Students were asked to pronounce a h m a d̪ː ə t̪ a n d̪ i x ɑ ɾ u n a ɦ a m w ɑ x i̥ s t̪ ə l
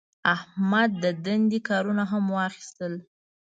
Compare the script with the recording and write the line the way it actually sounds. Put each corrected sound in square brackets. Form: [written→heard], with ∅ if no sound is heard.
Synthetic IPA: a h m a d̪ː ə [t̪→d̪] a n d̪ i [x→k] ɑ ɾ u n a ɦ a m w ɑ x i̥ s t̪ ə l

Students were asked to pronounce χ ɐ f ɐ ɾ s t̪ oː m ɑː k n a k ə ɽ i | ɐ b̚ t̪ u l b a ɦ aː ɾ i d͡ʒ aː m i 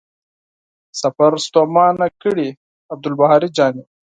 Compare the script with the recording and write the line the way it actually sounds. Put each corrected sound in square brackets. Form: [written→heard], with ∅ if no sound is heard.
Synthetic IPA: [χ→s] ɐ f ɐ ɾ s t̪ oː m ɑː [k→∅] n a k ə ɽ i | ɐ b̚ [t̪→d̪] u l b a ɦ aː ɾ i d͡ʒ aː [m→n] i

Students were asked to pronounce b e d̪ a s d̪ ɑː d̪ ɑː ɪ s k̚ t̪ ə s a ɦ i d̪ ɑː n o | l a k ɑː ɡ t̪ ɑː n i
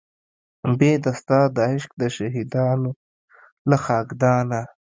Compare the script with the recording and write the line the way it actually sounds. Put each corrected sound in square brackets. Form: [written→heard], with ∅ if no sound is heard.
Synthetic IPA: b e d̪ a s [d̪→t̪] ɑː d̪ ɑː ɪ [s→ʃ] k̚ [t̪→d̪] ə [s→ʃ] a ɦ i d̪ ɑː n o | l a [k→x] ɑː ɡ [t̪→d̪] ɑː n [i→a]

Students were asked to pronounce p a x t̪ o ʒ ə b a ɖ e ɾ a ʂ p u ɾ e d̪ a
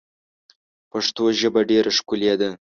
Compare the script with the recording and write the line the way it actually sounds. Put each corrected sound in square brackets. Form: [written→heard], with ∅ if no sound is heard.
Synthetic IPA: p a [x→ʂ] t̪ o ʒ ə b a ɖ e ɾ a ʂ [p→k] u [ɾ→l] e d̪ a

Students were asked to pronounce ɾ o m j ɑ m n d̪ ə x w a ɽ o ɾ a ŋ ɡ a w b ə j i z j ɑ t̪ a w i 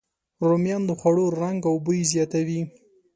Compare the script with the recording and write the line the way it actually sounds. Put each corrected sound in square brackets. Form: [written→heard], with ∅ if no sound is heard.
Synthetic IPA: ɾ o m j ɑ [m→∅] n d̪ ə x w a ɽ o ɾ a ŋ ɡ a w b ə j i z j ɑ t̪ a w i

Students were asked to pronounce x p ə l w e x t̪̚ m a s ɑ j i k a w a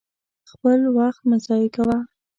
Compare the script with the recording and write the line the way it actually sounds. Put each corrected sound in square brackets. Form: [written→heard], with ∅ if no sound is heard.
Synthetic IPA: x p ə l w [e→a] x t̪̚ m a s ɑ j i k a w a

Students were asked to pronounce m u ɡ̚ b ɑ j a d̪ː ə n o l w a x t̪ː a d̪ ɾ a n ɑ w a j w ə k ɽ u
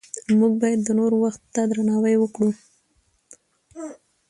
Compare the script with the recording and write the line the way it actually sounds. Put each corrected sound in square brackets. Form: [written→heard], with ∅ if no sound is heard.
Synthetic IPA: m u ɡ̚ b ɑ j a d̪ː ə n o [l→ɾ] w a x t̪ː a d̪ ɾ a n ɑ w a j w ə k ɽ u

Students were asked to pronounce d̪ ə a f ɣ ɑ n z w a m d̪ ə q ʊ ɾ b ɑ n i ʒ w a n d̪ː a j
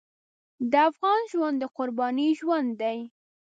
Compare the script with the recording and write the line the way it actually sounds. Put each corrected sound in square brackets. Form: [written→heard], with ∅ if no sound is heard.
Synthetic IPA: d̪ ə a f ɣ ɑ n [z→ʒ] w a [m→n] d̪ ə q ʊ ɾ b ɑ n i ʒ w a n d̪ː a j

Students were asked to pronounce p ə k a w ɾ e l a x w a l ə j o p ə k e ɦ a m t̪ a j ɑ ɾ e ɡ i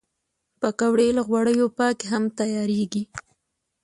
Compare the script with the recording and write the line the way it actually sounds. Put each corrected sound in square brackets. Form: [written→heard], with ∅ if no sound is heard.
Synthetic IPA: p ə k a w [ɾ→ɽ] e l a [x→ɣ] w a [l→ɽ] ə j o p [ə→ɑ] k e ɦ a m t̪ a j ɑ ɾ e ɡ i

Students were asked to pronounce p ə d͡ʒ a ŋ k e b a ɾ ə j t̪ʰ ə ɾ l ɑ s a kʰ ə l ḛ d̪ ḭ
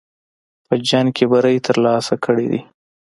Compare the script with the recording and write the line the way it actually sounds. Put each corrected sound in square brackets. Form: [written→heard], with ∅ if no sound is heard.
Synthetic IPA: p ə d͡ʒ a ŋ k e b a ɾ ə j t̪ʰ ə ɾ l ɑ s a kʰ ə [l→ɽ] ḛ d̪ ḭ

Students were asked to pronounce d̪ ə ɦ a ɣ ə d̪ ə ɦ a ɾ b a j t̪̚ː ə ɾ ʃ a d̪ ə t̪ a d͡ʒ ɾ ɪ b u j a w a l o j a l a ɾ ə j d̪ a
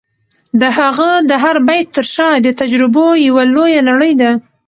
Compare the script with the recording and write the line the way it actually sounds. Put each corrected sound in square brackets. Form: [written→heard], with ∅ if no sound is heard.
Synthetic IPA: d̪ ə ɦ a ɣ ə d̪ ə ɦ a ɾ b a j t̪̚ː ə ɾ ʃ [a→ɑ] d̪ ə t̪ a d͡ʒ ɾ ɪ b [u→o] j a w a l o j a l a [ɾ→ɽ] ə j d̪ a

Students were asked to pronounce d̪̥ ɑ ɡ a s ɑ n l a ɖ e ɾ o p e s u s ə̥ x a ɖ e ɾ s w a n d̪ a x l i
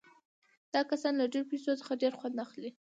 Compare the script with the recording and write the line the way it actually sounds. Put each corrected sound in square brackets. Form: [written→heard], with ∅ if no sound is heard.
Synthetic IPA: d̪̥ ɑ [ɡ→k] a s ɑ n l a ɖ e ɾ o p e s [u→o] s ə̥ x a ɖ e ɾ [s→x] w a n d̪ a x l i

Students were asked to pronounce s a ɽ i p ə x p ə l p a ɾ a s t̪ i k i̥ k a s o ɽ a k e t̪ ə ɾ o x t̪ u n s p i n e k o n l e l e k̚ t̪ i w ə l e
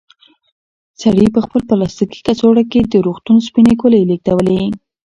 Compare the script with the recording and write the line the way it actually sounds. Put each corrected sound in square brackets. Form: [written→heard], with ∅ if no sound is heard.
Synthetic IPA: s a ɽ i p ə x p ə l p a [ɾ→l] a s t̪ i k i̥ k a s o ɽ a k e [t̪→d̪] ə ɾ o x t̪ u n s p i n e k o [n→∅] l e l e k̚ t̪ [i→a] w ə l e

